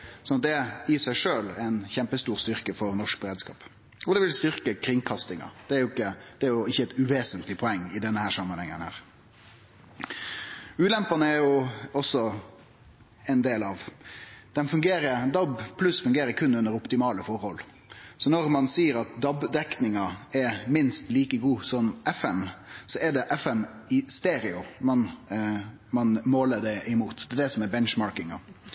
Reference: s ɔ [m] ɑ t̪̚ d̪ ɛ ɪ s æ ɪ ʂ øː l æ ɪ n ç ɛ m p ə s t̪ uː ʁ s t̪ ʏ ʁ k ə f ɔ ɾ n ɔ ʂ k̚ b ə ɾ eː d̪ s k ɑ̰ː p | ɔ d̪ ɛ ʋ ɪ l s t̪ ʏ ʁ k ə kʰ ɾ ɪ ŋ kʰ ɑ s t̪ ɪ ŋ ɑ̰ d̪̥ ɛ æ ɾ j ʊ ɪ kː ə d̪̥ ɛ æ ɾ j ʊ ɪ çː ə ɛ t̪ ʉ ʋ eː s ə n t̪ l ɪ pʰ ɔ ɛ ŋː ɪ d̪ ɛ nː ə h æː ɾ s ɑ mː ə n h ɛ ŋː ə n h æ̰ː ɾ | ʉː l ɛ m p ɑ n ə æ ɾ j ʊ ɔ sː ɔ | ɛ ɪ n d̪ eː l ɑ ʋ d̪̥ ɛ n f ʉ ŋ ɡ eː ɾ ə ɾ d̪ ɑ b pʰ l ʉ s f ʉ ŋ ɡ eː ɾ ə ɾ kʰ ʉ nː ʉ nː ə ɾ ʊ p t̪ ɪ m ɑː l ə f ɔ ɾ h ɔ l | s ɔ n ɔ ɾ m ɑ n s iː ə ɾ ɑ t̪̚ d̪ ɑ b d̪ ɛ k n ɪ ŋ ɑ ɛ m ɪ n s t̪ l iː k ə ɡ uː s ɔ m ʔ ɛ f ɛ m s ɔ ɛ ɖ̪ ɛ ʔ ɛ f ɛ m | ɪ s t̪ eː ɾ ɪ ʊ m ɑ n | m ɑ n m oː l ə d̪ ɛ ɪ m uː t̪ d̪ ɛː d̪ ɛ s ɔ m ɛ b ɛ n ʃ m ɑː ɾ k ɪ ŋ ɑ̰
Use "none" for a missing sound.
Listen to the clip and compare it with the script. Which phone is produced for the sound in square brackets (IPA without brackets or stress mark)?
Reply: n